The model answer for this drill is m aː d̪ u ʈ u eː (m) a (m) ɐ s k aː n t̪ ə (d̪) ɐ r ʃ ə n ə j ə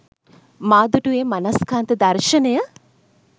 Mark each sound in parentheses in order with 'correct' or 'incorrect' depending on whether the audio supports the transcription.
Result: correct, incorrect: n, correct

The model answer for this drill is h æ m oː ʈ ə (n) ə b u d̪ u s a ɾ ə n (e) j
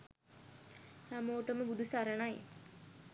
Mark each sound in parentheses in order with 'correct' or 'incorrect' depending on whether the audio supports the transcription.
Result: incorrect: m, incorrect: a

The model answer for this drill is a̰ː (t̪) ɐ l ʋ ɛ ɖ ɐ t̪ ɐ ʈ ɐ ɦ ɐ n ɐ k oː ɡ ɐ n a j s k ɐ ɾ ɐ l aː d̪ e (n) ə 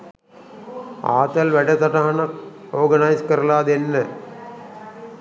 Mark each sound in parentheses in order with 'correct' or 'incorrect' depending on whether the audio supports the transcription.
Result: correct, incorrect: nː

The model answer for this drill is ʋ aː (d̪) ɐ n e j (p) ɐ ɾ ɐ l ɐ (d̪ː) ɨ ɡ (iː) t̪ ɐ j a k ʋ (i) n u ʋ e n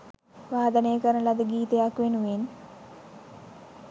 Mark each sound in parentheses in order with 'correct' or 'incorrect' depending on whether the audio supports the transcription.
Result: correct, incorrect: k, incorrect: d̪, correct, incorrect: e

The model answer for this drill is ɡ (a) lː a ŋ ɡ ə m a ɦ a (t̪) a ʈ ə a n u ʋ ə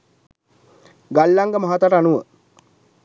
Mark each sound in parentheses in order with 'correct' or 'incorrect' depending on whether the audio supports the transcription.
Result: correct, correct

